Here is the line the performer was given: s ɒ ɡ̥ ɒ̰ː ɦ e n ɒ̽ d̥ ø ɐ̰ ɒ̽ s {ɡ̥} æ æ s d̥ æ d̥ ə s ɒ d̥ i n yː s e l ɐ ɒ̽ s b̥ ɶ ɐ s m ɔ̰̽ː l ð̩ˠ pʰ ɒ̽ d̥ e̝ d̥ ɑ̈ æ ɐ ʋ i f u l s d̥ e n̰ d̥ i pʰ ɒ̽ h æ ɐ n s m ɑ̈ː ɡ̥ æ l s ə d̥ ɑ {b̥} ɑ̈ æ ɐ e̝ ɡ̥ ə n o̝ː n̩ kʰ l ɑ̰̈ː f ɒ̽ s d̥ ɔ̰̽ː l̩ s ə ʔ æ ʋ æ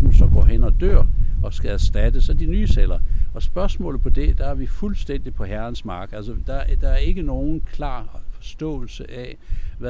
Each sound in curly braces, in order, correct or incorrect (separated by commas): correct, incorrect